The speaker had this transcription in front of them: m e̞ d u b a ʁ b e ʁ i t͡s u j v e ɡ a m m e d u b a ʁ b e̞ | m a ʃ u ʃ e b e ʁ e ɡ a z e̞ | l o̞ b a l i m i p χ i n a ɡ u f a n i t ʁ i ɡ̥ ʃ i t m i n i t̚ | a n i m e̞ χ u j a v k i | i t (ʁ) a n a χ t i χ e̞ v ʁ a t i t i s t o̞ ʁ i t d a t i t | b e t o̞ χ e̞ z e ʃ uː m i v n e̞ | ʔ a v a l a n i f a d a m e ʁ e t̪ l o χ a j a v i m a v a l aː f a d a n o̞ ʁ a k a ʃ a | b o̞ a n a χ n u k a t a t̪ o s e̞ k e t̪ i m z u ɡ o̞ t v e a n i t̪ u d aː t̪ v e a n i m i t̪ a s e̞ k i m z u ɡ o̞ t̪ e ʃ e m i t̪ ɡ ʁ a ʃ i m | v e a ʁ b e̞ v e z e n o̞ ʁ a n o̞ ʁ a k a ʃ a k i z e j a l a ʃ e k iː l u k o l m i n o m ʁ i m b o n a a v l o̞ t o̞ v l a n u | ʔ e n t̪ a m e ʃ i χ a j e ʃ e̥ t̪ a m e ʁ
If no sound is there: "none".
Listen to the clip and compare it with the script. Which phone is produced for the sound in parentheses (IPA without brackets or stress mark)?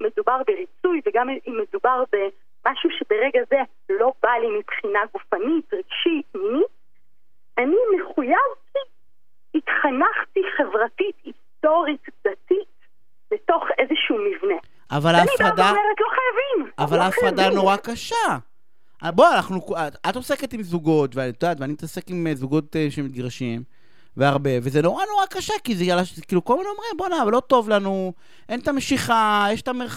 χ